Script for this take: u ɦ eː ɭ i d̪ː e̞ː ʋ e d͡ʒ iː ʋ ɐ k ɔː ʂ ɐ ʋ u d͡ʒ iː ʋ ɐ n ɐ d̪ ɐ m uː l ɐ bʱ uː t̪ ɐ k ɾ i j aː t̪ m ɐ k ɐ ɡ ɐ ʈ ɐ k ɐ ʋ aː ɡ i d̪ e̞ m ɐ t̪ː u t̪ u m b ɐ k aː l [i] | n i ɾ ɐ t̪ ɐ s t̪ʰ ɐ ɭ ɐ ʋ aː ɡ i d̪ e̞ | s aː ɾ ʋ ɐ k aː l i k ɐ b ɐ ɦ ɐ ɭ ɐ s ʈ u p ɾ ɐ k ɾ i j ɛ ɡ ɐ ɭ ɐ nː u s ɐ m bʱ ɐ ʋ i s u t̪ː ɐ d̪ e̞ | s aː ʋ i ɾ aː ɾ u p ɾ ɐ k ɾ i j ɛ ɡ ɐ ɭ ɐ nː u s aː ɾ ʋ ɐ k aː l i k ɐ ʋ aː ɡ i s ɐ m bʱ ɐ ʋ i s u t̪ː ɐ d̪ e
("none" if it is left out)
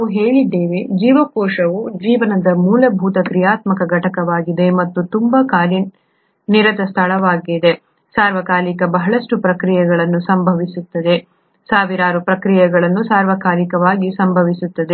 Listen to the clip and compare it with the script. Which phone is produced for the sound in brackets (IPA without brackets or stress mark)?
i